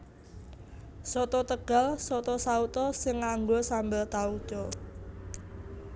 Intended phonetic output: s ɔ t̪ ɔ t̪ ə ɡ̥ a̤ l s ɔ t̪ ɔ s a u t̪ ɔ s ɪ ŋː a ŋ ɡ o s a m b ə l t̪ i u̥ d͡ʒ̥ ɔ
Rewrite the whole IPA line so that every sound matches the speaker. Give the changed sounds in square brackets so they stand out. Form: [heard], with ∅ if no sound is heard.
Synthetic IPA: s ɔ t̪ ɔ t̪ ə ɡ̥ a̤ l s ɔ t̪ ɔ s a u t̪ ɔ s ɪ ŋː a ŋ ɡ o s a m b ə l t̪ [a] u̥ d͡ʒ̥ ɔ